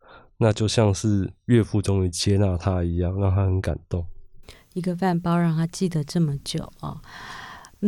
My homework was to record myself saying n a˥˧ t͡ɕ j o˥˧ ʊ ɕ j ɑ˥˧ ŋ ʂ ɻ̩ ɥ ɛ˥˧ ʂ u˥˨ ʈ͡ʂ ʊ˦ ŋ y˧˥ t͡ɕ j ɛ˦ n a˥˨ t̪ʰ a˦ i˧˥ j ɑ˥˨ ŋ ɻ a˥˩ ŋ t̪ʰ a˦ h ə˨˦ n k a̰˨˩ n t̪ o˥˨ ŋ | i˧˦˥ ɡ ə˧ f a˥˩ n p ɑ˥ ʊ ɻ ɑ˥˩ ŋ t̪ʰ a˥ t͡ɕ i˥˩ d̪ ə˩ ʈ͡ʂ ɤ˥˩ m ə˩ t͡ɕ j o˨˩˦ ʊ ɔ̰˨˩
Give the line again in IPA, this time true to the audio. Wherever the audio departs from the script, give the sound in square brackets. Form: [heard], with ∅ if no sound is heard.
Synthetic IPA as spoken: n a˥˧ t͡ɕ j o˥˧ ʊ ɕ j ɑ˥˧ ŋ ʂ ɻ̩ ɥ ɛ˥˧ [f] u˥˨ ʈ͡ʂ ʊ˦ ŋ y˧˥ t͡ɕ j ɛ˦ n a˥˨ t̪ʰ a˦ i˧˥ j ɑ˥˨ ŋ ɻ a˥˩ ŋ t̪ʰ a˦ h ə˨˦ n k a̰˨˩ n t̪ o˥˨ ŋ | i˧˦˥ ɡ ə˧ f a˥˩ n p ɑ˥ ʊ ɻ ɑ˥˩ ŋ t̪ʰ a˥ t͡ɕ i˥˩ d̪ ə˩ ʈ͡ʂ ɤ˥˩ m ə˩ t͡ɕ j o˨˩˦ ʊ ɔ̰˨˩